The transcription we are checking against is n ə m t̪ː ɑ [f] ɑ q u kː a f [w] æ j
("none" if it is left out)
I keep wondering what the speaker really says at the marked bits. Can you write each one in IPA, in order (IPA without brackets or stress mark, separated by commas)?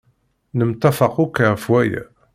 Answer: f, w